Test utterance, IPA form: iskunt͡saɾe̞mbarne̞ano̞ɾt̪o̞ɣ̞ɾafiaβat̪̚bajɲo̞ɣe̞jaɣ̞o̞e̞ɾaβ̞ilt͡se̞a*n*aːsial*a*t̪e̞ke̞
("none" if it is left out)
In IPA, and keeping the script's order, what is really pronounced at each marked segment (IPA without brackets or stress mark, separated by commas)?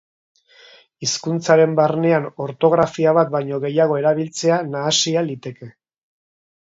n, i